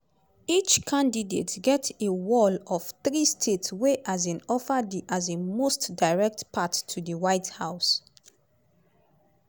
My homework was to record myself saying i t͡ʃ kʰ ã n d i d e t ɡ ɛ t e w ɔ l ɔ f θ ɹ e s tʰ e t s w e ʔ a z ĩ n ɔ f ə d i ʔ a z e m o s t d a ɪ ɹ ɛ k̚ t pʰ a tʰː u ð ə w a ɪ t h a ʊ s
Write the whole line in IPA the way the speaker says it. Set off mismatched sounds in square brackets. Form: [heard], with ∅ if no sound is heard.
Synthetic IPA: i t͡ʃ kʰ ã n d i d e t ɡ ɛ t e w ɔ l ɔ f θ ɹ [i] s tʰ e t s w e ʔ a z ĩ n ɔ f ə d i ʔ a z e m o s t d a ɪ ɹ ɛ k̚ t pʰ a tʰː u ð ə w a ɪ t h a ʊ s